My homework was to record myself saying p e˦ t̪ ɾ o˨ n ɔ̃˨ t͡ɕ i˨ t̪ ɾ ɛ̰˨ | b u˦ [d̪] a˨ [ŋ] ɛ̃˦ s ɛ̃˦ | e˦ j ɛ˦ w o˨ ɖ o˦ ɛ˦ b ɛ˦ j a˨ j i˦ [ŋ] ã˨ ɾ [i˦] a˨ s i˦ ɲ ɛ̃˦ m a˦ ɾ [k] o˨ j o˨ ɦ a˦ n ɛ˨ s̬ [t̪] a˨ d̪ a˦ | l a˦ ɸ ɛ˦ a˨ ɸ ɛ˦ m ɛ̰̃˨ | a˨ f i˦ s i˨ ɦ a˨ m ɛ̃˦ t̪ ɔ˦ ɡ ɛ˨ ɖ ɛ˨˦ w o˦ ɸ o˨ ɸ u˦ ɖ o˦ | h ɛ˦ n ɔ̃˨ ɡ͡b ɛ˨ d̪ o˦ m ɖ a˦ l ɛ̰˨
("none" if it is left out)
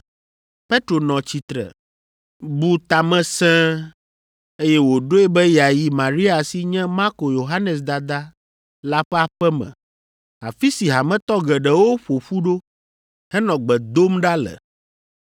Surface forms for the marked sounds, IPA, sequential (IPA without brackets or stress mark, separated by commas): t̪, m, m, i˦, k, d̪